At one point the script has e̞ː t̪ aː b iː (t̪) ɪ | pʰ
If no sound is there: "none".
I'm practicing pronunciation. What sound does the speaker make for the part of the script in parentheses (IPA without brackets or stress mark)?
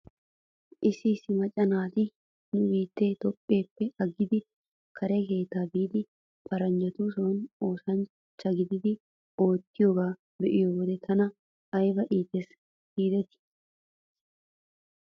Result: d̪